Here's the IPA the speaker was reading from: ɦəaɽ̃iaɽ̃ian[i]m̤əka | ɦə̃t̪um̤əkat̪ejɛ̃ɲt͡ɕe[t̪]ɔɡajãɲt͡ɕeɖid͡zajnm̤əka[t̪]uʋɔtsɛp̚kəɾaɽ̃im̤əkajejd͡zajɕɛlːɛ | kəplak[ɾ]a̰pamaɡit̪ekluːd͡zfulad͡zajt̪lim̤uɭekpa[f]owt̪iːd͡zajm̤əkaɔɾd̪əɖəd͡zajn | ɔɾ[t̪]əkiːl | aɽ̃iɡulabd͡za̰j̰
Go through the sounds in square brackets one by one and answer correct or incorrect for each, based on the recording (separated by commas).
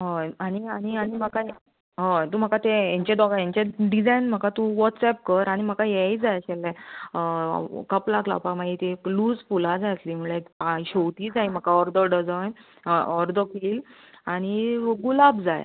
correct, incorrect, correct, incorrect, incorrect, incorrect